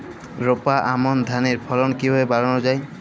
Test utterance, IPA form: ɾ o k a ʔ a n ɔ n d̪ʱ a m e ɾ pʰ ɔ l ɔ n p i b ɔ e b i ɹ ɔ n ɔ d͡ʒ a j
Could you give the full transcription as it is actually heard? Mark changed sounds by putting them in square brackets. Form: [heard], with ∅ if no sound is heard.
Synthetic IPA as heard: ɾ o [p] a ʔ a [m] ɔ n d̪ʱ a [n] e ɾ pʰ ɔ l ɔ n [k] i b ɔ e b [a] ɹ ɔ n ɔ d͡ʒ a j